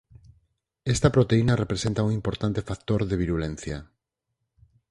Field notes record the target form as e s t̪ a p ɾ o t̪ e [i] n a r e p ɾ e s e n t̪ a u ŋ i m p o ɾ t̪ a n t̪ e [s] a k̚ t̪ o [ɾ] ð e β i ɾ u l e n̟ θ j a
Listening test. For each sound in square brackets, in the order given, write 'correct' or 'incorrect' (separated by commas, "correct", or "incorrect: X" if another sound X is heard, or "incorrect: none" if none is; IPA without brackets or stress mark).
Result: correct, incorrect: f, correct